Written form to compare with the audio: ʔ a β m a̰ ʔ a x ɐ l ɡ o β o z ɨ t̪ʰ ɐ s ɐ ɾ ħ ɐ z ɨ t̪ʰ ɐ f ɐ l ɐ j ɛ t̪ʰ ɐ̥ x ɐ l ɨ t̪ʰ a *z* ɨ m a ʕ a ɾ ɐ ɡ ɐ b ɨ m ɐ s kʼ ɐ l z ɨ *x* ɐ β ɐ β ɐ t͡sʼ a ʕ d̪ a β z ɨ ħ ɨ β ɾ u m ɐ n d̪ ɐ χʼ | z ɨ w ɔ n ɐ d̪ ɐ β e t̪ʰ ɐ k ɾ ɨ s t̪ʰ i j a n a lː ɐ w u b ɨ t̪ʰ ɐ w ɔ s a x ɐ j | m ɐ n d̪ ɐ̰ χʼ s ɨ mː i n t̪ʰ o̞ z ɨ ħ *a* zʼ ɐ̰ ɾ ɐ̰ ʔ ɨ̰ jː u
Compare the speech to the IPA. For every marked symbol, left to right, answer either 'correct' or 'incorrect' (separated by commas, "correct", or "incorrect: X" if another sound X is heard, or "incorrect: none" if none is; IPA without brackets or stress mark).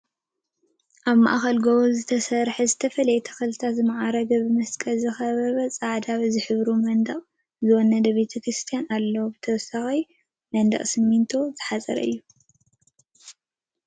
correct, correct, correct